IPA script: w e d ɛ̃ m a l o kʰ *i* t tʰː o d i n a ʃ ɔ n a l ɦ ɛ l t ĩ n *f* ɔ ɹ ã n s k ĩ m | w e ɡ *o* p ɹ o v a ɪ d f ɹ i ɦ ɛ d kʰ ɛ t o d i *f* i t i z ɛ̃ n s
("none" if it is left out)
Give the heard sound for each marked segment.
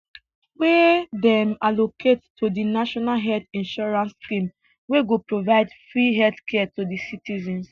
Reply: e, ʃ, o, s

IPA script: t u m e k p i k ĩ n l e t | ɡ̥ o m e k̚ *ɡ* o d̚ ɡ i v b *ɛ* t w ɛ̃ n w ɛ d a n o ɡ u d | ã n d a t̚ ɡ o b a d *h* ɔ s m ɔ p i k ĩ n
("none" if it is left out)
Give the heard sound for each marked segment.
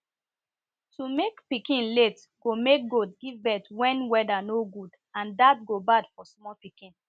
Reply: ɡ, ɛ, f

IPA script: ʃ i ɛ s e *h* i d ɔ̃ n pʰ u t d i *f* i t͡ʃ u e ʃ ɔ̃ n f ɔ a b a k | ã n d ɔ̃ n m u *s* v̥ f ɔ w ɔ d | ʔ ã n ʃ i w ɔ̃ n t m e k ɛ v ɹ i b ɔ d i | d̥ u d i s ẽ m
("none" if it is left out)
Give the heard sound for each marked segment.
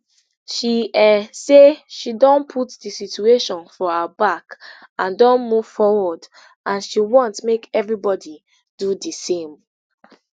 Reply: ʃ, s, none

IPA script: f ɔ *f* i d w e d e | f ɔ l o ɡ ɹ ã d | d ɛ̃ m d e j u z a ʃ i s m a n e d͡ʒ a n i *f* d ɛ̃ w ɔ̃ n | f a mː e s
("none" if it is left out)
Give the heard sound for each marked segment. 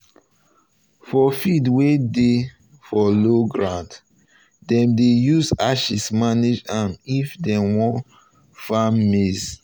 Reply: f, f

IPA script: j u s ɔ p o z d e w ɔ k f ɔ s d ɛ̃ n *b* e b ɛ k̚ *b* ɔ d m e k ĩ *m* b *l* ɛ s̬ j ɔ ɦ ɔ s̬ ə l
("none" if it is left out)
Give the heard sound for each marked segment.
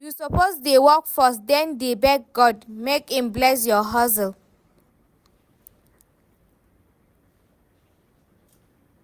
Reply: d, ɡ, m, l

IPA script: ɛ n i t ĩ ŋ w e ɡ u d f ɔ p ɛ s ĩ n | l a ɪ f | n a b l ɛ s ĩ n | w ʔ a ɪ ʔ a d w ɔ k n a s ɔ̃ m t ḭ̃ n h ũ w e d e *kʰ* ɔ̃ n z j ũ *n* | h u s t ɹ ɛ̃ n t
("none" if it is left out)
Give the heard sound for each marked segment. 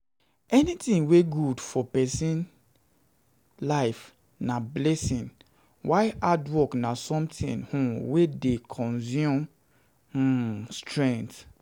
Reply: kʰ, m

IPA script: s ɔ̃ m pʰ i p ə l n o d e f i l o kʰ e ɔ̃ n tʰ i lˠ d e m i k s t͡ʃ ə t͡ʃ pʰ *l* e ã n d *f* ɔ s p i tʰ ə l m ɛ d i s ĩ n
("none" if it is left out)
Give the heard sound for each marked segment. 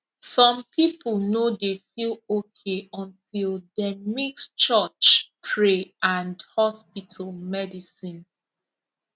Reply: ɹ, h

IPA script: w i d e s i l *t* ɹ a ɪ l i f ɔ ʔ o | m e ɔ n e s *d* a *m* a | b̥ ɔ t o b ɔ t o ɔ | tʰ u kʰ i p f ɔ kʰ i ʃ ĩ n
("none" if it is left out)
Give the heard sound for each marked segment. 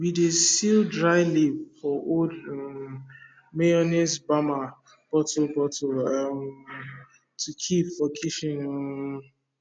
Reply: d, b, m

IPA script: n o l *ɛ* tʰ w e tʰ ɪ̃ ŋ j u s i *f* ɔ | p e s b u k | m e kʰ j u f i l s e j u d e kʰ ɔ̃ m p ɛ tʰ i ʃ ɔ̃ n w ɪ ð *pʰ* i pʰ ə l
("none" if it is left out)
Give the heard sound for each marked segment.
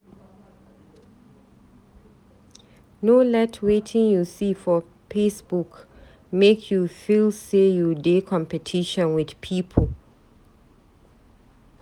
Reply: ɛ, f, pʰ

